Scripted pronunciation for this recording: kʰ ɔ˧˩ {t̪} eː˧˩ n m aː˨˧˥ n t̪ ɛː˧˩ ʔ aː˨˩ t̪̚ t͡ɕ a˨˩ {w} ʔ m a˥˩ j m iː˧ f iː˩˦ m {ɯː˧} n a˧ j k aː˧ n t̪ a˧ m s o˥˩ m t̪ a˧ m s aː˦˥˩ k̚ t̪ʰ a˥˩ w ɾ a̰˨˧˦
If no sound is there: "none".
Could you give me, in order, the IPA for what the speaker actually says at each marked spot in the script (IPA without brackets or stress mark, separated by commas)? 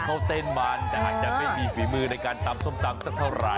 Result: t̪, none, ɯː˧